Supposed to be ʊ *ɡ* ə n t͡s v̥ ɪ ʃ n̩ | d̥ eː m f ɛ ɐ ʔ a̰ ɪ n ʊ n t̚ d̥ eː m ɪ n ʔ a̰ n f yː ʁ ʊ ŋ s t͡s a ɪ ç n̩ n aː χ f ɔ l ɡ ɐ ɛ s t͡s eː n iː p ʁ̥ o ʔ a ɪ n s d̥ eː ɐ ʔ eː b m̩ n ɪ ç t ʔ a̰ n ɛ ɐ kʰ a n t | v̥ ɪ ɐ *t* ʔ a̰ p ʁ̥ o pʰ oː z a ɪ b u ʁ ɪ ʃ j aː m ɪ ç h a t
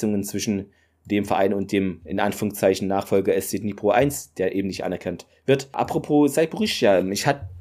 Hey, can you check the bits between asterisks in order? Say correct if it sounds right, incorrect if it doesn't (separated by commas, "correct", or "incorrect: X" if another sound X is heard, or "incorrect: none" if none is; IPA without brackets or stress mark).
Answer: incorrect: ŋ, correct